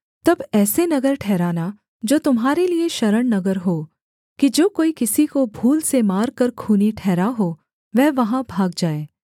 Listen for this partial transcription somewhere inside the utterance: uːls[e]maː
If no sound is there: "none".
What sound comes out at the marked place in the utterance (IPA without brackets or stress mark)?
e